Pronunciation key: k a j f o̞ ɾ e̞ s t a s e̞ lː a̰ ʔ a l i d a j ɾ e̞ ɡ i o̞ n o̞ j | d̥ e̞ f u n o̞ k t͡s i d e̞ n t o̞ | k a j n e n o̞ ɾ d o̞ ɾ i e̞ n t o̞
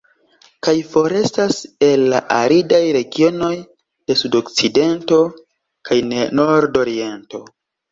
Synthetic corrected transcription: k a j f o̞ ɾ e̞ s t a s e̞ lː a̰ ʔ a ɾ i d a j ɾ e̞ ɡ i o̞ n o̞ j | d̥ e̞ s u d o̞ k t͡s i d e̞ n t o̞ | k a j n e n o̞ ɾ d o̞ ɾ i e̞ n t o̞